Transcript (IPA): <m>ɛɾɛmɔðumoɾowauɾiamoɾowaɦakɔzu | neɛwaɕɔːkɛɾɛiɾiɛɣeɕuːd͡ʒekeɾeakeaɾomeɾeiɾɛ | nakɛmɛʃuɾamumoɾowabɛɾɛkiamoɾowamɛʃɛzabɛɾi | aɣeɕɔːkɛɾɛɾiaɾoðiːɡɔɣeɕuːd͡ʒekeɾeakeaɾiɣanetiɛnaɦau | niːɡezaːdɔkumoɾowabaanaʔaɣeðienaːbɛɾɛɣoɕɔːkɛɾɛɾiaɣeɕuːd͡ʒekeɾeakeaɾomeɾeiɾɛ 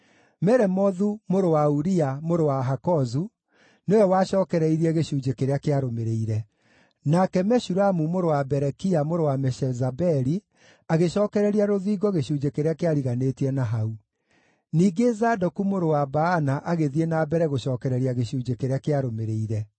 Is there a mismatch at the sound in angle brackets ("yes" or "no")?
no